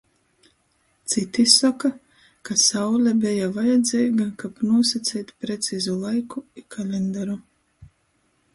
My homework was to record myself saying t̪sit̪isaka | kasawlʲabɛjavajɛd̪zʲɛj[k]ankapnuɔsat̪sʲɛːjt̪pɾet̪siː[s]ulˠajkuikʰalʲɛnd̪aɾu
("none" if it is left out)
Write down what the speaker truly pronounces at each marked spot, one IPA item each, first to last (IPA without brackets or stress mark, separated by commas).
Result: ɡ, z